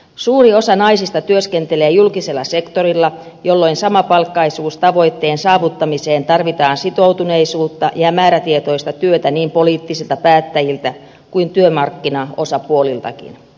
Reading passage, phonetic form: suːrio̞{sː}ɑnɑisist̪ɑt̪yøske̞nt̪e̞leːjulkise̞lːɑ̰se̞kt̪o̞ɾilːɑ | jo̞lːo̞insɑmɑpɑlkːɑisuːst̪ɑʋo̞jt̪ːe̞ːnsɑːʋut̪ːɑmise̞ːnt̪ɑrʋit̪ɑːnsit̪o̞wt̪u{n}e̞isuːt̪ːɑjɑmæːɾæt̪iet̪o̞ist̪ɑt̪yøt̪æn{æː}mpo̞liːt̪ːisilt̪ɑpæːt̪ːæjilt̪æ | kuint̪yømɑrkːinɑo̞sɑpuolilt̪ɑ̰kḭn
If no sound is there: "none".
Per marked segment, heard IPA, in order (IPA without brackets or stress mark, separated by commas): s, n, iː